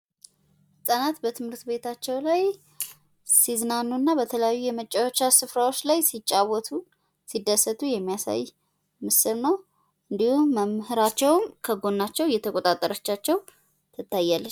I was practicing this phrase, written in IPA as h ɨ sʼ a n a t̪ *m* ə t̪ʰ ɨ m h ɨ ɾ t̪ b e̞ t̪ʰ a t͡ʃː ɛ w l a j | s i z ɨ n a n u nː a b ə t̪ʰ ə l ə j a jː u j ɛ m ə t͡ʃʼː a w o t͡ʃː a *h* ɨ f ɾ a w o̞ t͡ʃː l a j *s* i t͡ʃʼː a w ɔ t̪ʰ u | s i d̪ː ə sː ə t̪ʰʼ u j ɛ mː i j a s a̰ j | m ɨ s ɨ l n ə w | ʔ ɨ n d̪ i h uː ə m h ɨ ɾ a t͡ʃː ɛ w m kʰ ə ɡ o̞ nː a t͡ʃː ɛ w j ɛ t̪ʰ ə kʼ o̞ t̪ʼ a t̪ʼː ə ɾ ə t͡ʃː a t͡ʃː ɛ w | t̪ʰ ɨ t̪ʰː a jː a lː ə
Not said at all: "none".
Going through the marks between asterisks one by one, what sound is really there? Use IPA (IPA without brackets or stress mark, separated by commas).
b, s, s